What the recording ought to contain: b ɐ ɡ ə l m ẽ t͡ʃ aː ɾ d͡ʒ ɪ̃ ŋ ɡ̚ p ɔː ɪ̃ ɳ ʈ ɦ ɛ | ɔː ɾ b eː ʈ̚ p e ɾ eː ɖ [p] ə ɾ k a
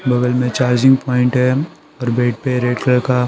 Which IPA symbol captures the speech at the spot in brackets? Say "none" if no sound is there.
k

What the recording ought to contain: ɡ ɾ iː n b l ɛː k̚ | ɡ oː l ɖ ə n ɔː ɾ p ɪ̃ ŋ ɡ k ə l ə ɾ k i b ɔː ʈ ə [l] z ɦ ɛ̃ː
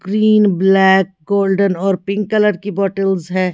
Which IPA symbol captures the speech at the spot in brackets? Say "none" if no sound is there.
l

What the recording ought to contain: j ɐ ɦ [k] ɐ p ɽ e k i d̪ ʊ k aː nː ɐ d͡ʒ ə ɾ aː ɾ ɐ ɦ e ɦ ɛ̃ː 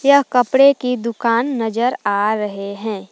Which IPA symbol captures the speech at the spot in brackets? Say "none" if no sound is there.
k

